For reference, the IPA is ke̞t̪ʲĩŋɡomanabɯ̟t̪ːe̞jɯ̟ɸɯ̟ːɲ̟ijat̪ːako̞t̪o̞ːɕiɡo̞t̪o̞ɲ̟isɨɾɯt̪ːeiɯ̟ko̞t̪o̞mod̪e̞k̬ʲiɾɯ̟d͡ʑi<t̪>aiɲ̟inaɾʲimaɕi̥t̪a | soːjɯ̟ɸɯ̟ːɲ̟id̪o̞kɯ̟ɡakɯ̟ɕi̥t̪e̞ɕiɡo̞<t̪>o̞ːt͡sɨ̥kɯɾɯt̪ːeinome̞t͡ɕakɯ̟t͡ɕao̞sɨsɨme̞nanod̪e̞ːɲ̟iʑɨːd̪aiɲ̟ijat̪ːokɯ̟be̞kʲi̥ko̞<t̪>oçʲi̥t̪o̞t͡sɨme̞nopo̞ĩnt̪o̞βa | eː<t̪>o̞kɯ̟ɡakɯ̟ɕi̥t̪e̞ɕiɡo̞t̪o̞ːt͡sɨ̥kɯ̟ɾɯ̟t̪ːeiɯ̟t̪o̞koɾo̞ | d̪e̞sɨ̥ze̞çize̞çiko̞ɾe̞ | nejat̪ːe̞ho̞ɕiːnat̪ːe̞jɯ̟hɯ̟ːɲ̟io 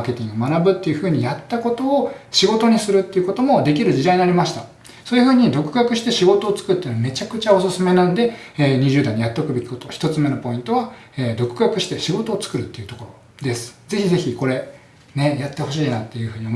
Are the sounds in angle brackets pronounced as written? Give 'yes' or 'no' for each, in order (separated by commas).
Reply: no, yes, yes, no